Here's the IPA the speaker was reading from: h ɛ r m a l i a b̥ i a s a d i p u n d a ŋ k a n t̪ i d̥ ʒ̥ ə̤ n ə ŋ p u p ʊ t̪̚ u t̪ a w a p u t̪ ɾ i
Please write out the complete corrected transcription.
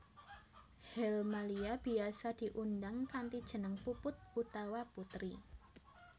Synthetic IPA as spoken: h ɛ l m a l i a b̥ i a s a d i ʔ u n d a ŋ k a n t̪ i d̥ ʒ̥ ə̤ n ə ŋ p u p ʊ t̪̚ u t̪ a w a p u t̪ ɾ i